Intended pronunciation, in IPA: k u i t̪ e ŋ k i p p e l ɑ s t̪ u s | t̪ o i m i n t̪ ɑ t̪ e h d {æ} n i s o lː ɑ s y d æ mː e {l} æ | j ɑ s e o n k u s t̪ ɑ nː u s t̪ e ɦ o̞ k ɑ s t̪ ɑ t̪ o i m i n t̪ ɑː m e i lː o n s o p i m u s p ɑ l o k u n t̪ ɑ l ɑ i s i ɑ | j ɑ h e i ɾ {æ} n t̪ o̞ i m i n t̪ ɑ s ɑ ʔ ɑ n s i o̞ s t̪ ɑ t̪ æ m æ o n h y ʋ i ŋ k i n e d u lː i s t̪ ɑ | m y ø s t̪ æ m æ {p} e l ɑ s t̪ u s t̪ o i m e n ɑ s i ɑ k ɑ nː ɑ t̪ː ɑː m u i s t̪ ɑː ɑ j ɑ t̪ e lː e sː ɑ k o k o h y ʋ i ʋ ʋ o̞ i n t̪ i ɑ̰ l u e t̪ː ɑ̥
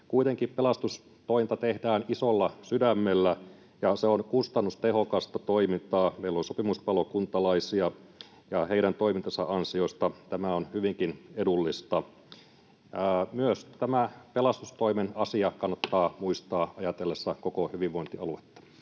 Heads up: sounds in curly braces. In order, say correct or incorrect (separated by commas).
incorrect, incorrect, correct, correct